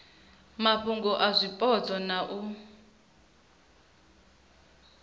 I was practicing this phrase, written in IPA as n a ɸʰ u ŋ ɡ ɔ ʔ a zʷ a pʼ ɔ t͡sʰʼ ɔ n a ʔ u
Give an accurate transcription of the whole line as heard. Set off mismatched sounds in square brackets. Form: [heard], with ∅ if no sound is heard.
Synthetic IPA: [m] a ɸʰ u ŋ ɡ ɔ ʔ a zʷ [i] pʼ ɔ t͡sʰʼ ɔ n a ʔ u